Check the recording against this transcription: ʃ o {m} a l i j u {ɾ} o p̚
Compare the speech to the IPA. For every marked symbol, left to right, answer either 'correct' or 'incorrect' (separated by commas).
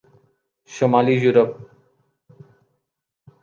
correct, correct